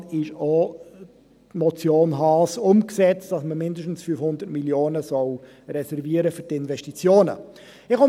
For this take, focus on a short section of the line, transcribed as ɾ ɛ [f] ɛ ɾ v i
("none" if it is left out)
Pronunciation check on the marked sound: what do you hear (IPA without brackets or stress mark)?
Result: s